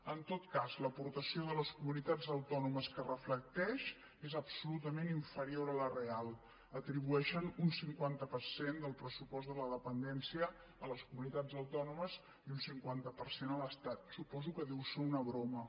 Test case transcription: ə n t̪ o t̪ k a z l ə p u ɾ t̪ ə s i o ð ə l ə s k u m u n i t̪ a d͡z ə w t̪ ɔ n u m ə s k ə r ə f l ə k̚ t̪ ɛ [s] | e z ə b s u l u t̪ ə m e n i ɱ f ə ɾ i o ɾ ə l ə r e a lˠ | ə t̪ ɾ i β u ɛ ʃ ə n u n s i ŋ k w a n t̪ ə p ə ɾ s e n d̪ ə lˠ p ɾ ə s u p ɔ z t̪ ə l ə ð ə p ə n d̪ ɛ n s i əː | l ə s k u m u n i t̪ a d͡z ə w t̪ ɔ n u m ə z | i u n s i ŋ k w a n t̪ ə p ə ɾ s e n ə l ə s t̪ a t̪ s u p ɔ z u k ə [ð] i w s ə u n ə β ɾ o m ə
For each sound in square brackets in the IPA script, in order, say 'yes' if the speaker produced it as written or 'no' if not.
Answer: no, yes

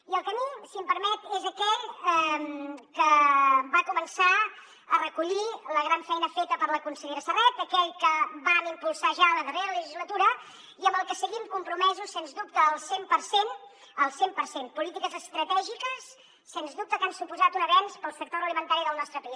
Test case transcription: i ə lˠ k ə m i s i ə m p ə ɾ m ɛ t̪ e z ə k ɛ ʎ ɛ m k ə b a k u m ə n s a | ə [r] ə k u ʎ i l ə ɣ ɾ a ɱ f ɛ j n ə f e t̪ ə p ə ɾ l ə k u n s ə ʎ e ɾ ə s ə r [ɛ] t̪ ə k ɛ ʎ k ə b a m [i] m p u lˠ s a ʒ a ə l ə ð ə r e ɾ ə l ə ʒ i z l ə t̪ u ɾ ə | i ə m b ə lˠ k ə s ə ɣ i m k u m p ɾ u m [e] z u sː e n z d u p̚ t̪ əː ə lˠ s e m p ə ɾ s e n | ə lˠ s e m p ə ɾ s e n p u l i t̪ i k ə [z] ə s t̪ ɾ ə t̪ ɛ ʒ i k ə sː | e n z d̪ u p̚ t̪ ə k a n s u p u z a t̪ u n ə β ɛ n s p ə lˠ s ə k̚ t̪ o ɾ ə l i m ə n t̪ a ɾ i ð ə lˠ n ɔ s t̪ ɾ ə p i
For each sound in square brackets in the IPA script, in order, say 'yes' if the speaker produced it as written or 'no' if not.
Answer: yes, yes, yes, no, yes

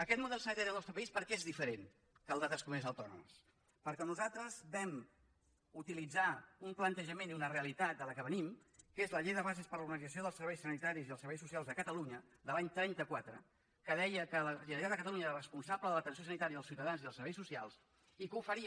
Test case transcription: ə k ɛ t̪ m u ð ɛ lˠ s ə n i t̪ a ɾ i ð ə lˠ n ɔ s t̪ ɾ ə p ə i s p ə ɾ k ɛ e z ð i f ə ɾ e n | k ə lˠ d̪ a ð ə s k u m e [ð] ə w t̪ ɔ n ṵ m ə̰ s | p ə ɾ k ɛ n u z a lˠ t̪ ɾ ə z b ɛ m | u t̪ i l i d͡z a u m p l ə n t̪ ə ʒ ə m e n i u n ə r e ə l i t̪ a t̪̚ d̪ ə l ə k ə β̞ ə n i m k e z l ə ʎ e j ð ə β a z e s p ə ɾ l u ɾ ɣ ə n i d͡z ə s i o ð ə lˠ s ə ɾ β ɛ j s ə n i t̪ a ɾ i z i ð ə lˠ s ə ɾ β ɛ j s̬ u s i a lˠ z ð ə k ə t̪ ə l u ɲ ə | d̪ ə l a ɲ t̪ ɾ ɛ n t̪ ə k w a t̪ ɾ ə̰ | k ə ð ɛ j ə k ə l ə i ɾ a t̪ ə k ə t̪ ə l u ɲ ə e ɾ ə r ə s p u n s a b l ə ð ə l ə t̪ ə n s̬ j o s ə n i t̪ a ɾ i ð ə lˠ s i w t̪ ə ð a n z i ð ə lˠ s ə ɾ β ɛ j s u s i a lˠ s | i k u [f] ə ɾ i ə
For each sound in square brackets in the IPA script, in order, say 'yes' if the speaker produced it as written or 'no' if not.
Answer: no, yes

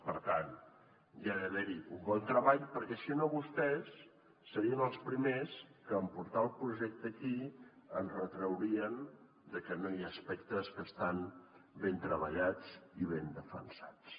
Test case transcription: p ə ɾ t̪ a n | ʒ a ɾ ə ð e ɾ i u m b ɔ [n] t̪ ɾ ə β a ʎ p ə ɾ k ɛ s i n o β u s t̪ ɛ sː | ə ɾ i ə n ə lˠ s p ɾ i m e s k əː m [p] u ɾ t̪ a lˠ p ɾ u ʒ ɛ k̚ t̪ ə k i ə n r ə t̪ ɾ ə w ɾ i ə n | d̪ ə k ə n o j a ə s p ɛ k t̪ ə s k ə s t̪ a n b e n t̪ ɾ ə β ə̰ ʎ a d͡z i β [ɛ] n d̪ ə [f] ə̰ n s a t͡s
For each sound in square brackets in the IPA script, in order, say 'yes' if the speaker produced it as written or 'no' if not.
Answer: yes, yes, no, yes

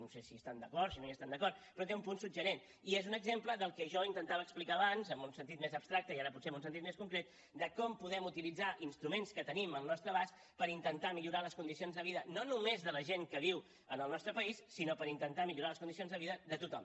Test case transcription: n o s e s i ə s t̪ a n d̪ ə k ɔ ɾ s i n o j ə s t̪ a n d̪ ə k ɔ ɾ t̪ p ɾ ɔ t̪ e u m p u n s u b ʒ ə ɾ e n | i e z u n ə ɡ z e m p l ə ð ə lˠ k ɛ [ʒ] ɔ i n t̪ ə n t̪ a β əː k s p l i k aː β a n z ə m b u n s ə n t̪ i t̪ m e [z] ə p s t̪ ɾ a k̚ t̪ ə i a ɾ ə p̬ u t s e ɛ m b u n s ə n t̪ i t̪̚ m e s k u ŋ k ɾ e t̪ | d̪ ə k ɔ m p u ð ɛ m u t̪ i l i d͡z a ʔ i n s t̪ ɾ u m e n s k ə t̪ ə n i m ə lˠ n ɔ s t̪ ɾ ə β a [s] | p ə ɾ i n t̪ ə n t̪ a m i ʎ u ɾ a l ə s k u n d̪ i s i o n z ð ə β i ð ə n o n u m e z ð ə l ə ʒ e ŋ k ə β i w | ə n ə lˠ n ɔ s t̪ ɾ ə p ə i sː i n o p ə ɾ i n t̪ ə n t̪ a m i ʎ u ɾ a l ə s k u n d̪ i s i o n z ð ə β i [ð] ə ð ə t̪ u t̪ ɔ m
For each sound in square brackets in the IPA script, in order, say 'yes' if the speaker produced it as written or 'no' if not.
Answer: yes, yes, yes, yes

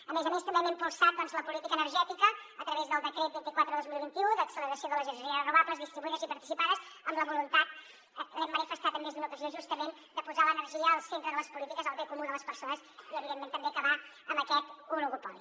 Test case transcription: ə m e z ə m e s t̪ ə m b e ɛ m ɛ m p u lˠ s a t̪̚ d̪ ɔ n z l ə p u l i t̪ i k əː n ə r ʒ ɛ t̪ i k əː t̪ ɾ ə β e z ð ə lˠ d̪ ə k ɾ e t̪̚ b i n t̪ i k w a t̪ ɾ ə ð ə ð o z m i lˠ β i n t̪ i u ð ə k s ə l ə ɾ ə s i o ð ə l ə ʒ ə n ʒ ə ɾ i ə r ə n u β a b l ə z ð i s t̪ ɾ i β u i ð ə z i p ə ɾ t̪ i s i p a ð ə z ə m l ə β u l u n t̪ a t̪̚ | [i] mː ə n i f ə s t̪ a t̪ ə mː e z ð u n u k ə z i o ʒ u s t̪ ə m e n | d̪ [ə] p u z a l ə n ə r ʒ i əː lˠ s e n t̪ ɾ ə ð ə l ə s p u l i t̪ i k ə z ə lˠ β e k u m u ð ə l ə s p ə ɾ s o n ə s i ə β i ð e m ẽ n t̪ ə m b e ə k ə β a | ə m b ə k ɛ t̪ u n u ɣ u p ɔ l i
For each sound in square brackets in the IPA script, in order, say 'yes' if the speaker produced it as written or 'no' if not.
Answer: no, yes

